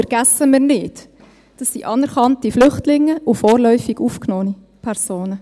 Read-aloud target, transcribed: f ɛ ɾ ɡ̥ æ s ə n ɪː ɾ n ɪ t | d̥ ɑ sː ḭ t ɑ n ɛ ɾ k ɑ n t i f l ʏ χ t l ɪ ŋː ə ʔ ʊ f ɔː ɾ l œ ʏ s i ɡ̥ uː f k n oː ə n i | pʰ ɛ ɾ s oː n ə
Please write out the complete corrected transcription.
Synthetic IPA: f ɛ ɾ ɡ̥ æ s ə m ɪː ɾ n ɪ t | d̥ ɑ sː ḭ ʔ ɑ n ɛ ɾ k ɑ n t i f l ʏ χ t l ɪ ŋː ə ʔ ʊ f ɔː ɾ l œ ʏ f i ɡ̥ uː f k n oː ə n i | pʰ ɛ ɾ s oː n ə